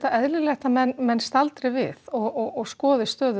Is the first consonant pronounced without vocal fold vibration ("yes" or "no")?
yes